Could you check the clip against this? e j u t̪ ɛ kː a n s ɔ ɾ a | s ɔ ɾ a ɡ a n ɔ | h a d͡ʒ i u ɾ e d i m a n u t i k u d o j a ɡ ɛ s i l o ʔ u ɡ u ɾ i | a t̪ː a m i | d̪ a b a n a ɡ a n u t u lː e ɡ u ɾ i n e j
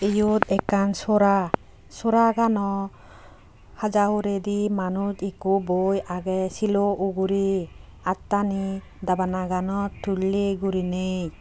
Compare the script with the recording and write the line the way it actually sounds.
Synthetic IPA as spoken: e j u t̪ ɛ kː a n s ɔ ɾ a | s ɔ ɾ a ɡ a n ɔ | h a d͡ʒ a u ɾ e d i m a n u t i k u b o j a ɡ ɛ s i l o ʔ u ɡ u ɾ i | a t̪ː a n i | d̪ a b a n a ɡ a n ɔ t u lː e ɡ u ɾ i n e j